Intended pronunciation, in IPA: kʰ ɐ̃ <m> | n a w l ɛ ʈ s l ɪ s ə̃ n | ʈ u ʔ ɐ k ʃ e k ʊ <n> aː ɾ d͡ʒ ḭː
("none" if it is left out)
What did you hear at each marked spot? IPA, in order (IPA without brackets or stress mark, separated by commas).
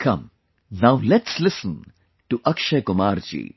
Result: m, m